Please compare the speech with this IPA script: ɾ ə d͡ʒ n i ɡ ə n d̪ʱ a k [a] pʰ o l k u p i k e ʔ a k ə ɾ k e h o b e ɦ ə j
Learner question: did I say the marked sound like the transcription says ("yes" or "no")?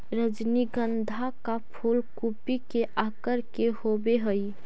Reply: yes